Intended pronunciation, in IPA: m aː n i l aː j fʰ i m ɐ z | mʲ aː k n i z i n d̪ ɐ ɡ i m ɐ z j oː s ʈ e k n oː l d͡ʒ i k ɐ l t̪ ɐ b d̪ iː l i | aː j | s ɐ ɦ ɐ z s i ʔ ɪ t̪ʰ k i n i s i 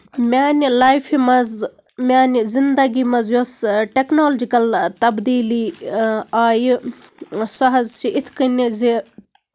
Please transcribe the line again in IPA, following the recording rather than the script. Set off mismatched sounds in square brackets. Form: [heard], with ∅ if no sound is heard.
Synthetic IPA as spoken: m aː n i l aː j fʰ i m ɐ z | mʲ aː [∅] n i z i n d̪ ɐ ɡ i m ɐ z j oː s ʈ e k n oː l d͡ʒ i k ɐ l t̪ ɐ b d̪ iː l i | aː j | s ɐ ɦ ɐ z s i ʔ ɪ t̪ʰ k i n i [z] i